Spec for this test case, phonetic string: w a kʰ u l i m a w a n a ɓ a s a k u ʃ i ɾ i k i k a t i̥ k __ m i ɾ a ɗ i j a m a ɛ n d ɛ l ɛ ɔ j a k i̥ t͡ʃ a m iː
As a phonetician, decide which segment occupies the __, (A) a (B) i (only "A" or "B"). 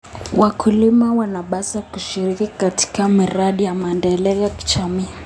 A